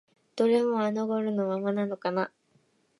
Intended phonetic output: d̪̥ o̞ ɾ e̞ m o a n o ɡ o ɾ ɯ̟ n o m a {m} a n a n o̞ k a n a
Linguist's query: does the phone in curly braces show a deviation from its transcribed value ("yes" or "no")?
no